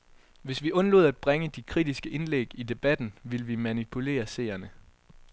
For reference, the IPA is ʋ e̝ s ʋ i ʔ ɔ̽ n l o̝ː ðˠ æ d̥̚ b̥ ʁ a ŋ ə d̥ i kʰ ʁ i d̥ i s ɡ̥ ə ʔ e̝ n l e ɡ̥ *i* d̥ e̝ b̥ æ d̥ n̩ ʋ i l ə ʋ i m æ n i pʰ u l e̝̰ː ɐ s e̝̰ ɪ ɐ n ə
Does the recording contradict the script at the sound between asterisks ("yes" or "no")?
no